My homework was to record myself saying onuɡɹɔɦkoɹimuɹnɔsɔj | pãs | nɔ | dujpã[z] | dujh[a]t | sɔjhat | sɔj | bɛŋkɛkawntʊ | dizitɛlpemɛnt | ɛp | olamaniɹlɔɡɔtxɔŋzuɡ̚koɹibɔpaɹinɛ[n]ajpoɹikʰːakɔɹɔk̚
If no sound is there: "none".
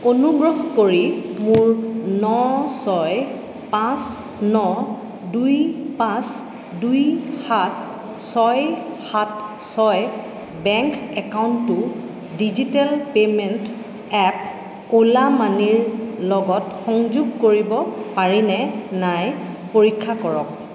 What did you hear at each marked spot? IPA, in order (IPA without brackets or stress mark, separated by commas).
s, a, n